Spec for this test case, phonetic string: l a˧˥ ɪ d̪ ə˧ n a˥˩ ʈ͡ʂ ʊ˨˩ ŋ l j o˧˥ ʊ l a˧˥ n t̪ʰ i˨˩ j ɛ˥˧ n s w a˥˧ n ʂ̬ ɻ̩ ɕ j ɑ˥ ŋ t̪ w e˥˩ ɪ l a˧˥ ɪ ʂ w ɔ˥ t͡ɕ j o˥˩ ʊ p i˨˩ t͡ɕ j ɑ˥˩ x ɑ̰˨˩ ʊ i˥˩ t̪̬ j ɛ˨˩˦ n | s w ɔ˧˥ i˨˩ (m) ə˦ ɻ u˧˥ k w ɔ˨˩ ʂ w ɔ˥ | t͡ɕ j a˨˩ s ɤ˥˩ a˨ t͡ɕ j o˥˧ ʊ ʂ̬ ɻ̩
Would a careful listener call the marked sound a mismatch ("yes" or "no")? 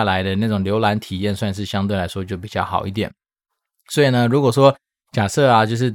yes